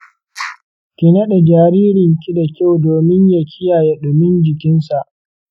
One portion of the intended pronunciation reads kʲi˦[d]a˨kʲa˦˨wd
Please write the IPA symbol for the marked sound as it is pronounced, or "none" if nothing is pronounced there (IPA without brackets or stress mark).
d